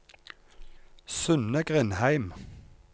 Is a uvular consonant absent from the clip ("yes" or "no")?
no